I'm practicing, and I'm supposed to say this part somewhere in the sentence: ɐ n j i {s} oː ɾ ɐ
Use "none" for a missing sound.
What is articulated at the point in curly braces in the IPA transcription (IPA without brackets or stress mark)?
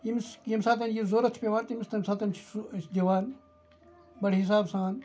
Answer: z